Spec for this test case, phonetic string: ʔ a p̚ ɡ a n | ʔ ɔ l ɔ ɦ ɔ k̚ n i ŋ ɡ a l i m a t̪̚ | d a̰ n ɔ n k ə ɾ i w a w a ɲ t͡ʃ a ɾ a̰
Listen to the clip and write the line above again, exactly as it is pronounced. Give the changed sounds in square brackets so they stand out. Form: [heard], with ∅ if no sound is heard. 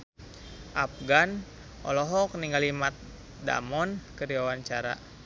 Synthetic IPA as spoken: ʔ a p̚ ɡ a n | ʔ ɔ l ɔ ɦ ɔ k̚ n i ŋ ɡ a l i m a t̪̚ | d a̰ [m] ɔ n k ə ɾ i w a w a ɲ t͡ʃ a ɾ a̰